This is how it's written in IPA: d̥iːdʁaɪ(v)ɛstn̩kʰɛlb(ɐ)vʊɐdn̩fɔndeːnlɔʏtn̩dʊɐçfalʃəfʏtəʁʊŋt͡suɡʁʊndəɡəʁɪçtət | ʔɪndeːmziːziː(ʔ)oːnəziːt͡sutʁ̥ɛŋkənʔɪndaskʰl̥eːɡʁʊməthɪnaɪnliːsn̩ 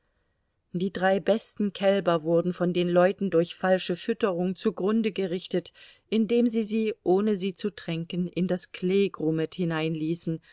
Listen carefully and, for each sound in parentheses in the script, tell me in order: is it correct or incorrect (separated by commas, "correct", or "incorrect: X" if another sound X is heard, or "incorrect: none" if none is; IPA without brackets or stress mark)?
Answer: incorrect: b, correct, correct